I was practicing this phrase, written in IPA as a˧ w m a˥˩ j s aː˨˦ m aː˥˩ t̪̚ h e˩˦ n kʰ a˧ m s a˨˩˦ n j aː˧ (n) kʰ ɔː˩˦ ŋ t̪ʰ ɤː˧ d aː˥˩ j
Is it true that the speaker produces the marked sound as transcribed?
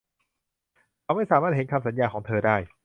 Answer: no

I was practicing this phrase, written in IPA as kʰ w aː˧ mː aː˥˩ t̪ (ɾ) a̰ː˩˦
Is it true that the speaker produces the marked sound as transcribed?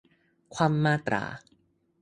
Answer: yes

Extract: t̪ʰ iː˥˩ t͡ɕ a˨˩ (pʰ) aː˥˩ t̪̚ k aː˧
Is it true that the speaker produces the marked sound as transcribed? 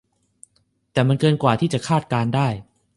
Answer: no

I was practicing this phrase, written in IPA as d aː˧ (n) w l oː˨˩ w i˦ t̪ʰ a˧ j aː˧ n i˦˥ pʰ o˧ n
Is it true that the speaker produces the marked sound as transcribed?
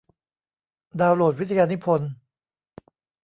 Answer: no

